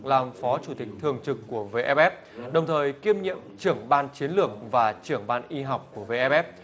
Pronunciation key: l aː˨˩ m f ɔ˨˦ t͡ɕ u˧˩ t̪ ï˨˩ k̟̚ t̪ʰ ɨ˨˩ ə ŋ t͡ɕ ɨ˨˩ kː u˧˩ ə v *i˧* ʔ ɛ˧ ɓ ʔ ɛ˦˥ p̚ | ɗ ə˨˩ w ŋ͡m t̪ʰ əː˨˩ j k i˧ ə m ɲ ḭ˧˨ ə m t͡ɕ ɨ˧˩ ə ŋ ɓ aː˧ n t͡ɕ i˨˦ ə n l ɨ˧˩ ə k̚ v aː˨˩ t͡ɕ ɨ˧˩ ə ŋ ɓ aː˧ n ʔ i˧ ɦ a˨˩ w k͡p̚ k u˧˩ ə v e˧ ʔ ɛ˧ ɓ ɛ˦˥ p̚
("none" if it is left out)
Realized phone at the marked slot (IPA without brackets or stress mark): e˧